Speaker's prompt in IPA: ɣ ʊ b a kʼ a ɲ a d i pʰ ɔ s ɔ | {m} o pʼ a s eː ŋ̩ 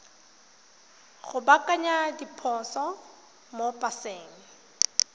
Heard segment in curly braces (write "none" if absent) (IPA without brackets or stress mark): m